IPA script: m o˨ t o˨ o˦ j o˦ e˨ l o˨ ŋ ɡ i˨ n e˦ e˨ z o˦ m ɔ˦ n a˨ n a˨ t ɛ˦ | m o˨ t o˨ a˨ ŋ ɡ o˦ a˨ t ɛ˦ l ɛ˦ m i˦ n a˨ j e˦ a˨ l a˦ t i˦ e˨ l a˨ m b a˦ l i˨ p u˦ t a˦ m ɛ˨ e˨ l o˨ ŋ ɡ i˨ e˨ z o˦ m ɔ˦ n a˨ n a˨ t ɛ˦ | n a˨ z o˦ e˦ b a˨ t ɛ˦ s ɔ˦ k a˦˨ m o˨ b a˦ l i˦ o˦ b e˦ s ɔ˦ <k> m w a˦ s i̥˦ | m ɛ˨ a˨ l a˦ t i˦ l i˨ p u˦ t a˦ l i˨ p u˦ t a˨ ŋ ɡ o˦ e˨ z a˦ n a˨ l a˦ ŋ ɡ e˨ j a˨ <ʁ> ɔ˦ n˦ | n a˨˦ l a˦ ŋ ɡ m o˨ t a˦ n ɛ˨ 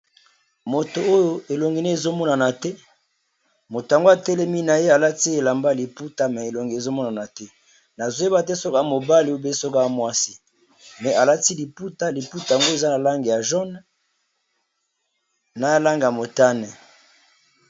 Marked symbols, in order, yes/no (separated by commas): yes, no